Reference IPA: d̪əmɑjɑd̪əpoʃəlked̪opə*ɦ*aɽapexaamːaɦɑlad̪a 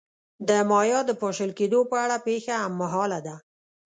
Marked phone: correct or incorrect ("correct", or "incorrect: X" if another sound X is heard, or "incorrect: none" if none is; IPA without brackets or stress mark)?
incorrect: none